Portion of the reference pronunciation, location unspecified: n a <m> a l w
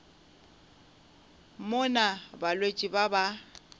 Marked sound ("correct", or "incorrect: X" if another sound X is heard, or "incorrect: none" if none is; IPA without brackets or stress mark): incorrect: b